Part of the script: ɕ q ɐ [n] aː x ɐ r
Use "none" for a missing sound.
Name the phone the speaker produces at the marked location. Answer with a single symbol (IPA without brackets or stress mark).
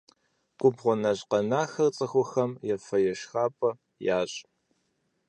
n